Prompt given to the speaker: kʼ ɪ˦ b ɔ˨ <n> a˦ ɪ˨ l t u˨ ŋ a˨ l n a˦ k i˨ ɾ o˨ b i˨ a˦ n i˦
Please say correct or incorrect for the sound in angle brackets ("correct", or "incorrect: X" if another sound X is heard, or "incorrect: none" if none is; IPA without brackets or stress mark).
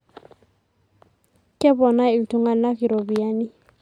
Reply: correct